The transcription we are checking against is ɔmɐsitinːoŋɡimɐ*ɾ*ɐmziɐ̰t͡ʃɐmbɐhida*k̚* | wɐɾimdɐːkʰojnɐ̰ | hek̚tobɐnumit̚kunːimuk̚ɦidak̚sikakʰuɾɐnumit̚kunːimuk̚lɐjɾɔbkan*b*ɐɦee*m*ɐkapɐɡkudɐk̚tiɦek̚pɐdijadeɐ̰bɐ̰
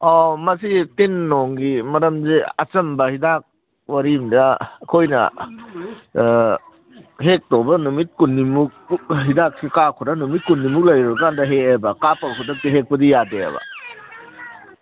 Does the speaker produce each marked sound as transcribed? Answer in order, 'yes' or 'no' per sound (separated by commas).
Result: yes, yes, no, no